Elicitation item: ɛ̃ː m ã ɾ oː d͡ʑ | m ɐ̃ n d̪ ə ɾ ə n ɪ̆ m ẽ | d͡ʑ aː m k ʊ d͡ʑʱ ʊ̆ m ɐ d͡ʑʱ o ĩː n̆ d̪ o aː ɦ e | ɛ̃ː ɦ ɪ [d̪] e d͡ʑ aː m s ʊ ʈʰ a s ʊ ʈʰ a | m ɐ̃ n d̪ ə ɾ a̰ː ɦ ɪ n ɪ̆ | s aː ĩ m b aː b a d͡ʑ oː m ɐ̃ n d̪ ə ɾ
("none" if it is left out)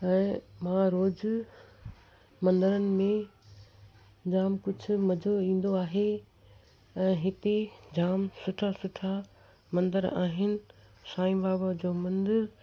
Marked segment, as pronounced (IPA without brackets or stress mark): t̪